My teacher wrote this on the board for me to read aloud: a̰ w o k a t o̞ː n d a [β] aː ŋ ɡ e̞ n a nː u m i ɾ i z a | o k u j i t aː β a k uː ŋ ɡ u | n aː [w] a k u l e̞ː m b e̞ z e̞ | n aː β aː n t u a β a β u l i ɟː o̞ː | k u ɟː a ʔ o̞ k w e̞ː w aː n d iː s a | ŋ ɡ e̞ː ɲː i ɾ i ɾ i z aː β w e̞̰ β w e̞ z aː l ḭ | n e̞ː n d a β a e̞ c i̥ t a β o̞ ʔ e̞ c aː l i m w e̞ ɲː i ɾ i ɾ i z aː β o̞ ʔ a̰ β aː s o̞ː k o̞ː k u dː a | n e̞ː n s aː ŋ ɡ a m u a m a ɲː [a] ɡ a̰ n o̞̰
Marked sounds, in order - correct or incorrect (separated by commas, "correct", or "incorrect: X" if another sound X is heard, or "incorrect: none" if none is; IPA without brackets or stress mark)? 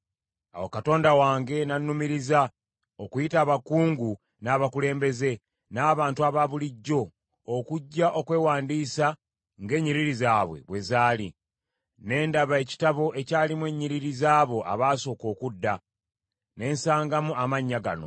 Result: incorrect: w, incorrect: β, correct